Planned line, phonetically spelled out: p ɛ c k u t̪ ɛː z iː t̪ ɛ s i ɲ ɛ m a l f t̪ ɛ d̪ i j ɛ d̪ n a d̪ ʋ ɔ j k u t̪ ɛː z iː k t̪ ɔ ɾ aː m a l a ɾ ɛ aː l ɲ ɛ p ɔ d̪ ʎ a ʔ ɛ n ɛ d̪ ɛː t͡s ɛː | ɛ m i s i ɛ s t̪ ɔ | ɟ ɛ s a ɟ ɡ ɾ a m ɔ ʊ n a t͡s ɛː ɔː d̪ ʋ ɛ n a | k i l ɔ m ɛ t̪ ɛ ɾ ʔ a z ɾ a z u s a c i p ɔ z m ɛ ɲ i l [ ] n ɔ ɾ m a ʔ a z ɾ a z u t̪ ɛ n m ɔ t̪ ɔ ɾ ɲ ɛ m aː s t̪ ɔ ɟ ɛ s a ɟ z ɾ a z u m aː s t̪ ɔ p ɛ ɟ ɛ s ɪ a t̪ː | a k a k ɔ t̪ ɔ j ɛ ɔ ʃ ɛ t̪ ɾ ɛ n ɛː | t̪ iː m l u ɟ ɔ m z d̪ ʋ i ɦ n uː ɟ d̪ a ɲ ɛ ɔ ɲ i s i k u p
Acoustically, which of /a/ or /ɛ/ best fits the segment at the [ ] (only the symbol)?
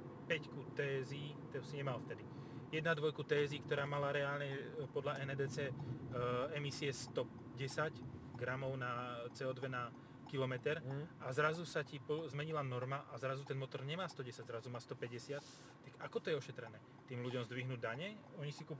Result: a